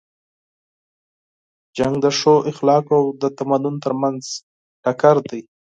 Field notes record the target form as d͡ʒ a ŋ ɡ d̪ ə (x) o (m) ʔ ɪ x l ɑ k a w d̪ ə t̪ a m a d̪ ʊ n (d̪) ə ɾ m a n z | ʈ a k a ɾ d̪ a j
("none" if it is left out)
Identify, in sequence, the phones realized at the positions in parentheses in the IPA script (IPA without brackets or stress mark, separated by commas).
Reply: ʂ, none, t̪